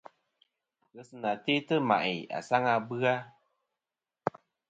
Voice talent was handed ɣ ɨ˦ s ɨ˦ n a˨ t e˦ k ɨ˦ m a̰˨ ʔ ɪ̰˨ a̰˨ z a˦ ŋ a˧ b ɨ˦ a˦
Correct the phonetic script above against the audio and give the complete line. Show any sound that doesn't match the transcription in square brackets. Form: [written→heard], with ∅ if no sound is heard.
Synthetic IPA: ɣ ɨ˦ s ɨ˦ n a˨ t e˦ [k→t] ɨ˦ m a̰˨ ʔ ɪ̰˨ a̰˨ [z→s] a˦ ŋ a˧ b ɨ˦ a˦